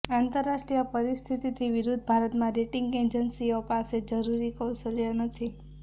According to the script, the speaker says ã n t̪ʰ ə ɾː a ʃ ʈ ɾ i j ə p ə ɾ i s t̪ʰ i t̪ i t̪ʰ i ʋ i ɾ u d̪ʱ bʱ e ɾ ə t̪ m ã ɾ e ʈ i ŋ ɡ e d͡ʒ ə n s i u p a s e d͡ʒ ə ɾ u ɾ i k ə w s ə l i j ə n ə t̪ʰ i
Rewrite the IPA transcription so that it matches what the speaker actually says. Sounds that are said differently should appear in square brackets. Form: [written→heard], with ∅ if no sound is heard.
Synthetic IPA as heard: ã n [t̪ʰ→t̪] ə ɾː a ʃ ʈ ɾ i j ə p ə ɾ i s t̪ʰ i t̪ i t̪ʰ i ʋ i ɾ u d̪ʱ bʱ [e→a] ɾ ə t̪ m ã ɾ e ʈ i ŋ ɡ e d͡ʒ ə n s i [u→o] p a s e d͡ʒ ə ɾ u ɾ i k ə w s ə l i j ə n ə t̪ʰ i